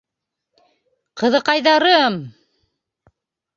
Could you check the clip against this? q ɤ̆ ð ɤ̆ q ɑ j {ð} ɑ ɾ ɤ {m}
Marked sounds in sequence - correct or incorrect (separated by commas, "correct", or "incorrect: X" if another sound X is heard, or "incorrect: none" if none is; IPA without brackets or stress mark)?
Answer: correct, correct